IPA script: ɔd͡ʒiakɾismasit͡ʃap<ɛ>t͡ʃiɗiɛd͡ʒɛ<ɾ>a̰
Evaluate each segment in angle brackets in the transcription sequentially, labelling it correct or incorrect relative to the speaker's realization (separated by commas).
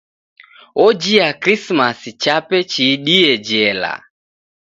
correct, incorrect